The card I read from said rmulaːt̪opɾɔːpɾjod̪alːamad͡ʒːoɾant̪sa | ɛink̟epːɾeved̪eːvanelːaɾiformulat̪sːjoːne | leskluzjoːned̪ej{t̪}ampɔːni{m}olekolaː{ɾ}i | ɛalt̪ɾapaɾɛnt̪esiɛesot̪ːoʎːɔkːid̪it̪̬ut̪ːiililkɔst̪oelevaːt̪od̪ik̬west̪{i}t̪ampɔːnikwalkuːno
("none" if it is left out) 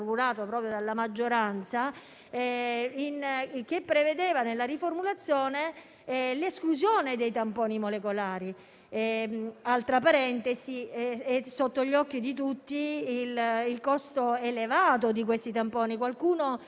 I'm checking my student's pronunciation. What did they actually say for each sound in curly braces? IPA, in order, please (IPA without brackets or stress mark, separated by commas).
t̪, m, ɾ, i